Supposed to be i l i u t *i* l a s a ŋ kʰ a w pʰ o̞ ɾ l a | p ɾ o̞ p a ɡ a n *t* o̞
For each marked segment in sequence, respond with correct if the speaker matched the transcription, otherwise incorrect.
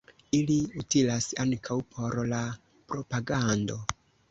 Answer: correct, incorrect: d

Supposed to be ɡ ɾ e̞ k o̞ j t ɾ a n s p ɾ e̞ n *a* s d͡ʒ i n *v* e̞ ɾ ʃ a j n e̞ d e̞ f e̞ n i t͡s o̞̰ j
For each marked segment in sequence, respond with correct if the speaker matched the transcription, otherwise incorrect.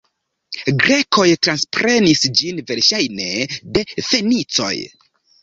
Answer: incorrect: i, correct

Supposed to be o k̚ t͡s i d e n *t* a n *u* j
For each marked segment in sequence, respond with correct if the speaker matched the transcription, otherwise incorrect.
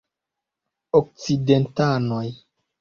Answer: correct, incorrect: o

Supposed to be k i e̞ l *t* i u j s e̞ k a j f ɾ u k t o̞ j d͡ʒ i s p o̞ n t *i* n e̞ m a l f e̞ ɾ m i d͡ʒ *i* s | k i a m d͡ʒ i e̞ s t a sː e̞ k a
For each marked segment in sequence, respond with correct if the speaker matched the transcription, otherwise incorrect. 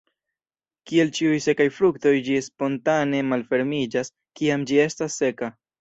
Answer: incorrect: t͡ʃ, incorrect: a, incorrect: a

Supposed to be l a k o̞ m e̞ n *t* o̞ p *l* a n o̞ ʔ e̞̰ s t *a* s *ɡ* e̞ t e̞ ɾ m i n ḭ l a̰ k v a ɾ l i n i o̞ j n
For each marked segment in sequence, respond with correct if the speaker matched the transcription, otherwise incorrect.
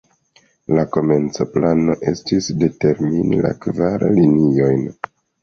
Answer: incorrect: t͡s, correct, incorrect: i, incorrect: d

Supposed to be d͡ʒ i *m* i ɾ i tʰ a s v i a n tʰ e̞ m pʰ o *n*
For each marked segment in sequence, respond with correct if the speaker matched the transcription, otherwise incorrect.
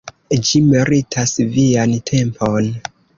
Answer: correct, correct

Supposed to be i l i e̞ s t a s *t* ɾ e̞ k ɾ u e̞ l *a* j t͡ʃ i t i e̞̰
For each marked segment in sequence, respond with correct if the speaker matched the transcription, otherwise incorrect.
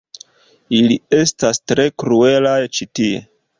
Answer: correct, correct

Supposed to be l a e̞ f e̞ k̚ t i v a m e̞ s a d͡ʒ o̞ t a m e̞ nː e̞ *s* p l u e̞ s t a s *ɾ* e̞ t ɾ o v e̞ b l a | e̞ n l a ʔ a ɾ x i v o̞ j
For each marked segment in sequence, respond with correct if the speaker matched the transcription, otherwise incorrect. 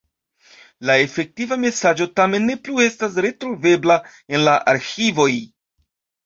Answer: incorrect: none, correct

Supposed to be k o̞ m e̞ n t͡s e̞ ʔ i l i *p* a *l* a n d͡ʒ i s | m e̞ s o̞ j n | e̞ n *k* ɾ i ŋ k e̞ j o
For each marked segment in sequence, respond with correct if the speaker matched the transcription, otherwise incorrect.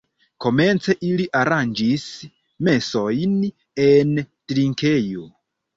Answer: incorrect: ʔ, incorrect: ɾ, incorrect: t

